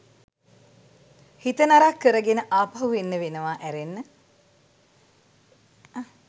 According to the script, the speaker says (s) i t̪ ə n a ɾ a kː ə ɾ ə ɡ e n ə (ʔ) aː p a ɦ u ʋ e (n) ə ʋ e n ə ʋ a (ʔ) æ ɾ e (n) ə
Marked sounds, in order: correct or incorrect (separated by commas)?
incorrect, correct, incorrect, correct, incorrect